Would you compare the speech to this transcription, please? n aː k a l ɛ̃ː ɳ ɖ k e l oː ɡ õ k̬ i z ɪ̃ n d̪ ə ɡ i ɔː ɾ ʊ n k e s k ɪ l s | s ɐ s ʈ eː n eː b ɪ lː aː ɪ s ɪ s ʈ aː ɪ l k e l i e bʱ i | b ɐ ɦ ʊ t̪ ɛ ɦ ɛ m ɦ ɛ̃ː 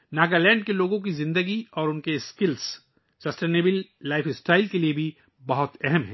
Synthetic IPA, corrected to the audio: n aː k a l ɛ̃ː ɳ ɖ k e l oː ɡ õ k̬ i z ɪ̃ n d̪ ə ɡ i ɔː ɾ ʊ n k e s k ɪ l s | s ɐ s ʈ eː n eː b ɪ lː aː ɪ f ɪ s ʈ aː ɪ l k e l i e bʱ i | b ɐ ɦ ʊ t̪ ɛ ɦ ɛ m ɦ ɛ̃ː

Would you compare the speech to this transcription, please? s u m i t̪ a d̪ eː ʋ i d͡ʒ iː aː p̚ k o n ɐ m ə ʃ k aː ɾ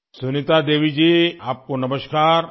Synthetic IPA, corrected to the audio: s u n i t̪ a d̪ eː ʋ i d͡ʒ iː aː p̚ k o n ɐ m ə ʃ k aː ɾ

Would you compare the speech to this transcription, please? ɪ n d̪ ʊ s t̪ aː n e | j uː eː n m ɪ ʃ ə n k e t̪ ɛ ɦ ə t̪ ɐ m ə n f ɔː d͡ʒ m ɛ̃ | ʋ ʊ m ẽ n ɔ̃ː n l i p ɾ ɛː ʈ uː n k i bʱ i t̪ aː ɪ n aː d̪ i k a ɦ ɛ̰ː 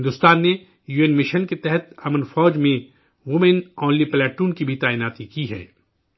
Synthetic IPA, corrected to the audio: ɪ n d̪ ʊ s t̪ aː nː e | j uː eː n m ɪ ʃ ə n k e t̪ ɛ ɦ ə t̪ ɐ m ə n f ɔː d͡ʒ m ẽ | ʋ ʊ m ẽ n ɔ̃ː n l i p l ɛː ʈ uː n k i bʱ i t̪ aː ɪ n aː t̪ i k i ɦ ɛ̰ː

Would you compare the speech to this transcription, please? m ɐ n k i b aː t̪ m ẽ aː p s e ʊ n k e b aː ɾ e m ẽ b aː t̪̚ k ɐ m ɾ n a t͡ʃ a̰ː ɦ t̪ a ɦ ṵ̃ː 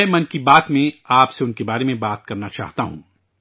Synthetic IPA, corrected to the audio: m ɐ n k i b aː t̪ m ẽ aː p s e ʊ n k e b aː ɾ e m ẽ b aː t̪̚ k ɐ ɾ n a t͡ʃ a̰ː ɦ t̪ a ɦ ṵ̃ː

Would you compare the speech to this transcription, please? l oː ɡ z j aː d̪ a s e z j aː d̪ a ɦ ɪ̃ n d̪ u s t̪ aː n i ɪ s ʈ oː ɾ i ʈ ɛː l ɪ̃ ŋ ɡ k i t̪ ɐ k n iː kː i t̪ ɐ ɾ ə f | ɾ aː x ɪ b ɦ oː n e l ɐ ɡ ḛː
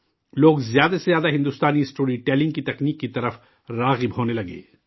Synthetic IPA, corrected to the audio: l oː ɡ z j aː d̪ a s e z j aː d̪ a ɦ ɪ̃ n d̪ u s t̪ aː n i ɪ s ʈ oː ɾ i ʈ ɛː l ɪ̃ ŋ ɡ k i t̪ ɐ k n iː kː i t̪ ɐ ɾ ə f | ɾ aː ɣ ɪ b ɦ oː n e l ɐ ɡ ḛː

